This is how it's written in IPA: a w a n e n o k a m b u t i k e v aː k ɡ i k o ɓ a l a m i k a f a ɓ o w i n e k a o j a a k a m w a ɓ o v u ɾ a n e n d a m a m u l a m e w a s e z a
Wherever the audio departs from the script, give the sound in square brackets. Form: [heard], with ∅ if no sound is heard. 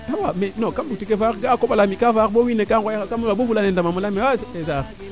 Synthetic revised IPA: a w a [m] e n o k a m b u t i k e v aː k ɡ [a] k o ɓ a l a m i k a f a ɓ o w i n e k a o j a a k a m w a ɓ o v u [l] a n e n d a m a m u l a m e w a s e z a